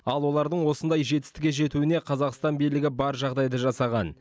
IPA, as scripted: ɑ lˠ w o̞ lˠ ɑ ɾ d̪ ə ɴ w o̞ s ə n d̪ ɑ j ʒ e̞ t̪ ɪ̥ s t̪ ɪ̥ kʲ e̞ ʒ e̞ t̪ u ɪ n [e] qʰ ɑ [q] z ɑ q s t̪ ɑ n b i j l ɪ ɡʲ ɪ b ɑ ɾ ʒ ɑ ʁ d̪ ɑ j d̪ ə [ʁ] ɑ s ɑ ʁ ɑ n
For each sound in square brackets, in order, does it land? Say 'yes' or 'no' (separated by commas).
yes, no, no